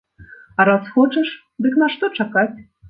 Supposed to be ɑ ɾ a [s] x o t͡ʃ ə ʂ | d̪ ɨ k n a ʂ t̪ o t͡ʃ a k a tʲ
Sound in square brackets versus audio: correct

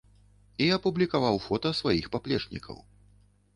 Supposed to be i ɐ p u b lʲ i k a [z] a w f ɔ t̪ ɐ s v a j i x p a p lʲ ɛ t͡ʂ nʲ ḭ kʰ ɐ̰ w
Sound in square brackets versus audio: incorrect: v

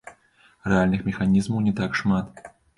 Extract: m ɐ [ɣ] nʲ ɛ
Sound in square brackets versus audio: incorrect: w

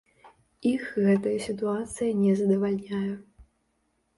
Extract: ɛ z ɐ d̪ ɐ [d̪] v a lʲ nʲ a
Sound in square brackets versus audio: incorrect: none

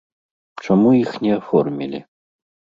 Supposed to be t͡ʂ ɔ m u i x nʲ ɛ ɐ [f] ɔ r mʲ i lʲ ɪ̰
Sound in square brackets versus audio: correct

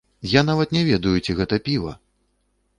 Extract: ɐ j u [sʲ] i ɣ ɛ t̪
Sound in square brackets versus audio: incorrect: t͡sʲ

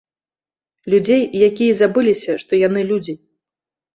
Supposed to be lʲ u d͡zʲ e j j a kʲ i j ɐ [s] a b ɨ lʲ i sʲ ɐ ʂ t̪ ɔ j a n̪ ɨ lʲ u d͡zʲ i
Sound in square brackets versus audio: incorrect: z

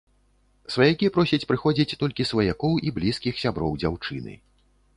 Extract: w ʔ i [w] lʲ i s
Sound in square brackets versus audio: incorrect: b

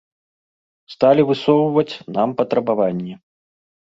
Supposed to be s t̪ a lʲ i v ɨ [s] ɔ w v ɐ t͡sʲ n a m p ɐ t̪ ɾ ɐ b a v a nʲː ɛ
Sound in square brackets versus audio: correct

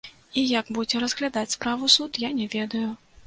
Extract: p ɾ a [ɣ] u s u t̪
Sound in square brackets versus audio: incorrect: v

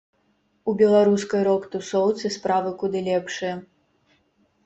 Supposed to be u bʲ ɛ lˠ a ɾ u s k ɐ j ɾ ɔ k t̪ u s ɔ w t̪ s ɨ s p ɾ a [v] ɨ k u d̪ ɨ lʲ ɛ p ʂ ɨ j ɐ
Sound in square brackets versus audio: correct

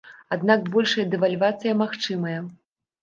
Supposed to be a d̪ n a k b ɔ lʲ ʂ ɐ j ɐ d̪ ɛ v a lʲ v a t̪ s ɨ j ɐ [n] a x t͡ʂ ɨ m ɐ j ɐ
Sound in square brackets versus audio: incorrect: m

